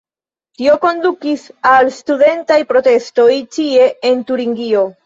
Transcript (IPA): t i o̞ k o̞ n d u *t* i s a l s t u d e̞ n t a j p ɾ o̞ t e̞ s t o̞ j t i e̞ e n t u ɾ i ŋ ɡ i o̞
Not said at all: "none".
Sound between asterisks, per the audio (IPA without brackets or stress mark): k